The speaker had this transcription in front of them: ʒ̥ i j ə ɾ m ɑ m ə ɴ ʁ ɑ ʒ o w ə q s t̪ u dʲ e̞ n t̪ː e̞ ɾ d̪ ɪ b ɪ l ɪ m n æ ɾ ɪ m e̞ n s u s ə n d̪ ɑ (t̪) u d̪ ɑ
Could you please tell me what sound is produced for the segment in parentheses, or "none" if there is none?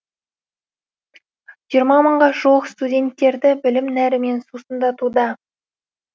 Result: t̪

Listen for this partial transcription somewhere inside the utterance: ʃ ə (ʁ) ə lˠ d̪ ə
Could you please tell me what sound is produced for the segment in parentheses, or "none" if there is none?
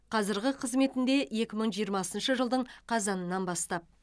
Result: ʒ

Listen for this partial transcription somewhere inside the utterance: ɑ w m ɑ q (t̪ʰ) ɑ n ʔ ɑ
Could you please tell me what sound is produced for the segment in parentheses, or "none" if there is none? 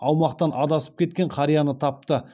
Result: t̪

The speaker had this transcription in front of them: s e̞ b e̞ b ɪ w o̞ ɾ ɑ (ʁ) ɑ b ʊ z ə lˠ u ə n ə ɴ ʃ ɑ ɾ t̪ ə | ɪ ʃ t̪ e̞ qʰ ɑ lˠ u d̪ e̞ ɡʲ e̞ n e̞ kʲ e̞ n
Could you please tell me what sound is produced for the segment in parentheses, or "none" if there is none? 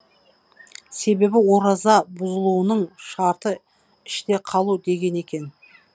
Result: z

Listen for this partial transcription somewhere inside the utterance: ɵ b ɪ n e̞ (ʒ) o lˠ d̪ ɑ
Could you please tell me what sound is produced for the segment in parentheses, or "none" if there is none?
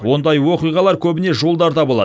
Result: ʒ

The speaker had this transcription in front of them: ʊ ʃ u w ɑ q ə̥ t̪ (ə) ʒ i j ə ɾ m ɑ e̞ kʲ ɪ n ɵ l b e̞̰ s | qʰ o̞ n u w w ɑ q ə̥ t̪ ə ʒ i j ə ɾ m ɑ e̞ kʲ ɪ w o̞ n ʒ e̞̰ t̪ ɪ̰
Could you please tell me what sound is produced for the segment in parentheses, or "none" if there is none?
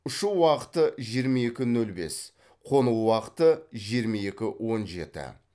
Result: ə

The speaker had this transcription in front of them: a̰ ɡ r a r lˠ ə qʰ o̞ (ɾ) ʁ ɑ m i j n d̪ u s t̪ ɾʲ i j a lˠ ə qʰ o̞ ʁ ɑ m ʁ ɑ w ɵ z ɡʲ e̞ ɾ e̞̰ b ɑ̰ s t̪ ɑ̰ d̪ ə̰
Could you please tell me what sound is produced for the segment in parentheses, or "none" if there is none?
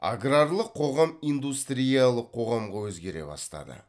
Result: none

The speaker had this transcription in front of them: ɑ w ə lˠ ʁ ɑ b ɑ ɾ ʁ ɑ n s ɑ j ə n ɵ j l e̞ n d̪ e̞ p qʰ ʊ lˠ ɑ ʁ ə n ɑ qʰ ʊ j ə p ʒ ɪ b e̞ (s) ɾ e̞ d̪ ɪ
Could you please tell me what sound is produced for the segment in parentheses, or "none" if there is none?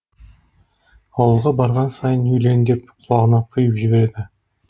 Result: none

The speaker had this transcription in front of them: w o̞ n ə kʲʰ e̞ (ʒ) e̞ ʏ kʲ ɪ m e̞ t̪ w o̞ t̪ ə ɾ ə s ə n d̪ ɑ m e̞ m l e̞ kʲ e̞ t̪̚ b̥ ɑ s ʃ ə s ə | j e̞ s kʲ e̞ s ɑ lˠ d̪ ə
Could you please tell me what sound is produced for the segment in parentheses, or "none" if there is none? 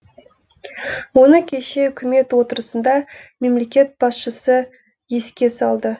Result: ʃ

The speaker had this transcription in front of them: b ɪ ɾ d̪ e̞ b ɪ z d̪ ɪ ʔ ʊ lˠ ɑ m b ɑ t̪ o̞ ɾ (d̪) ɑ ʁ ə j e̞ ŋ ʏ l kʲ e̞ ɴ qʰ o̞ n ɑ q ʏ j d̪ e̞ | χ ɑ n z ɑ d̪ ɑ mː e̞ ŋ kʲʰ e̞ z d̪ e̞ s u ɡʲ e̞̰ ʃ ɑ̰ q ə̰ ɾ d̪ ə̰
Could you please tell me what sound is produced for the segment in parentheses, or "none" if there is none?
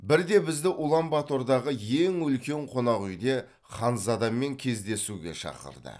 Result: d̪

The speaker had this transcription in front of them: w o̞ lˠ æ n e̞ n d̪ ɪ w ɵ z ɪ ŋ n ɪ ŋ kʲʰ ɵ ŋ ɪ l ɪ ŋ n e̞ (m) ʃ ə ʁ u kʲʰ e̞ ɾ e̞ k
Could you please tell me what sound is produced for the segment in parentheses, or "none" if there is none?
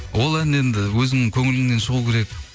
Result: n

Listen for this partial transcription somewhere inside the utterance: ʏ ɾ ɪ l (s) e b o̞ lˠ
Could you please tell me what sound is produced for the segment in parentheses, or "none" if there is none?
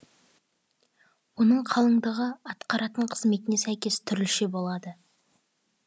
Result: ʃ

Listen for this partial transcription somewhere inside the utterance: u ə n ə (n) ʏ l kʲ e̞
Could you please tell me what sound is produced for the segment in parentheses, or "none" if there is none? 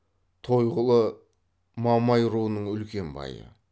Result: ɴ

